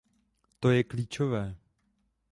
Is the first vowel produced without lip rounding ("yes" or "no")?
no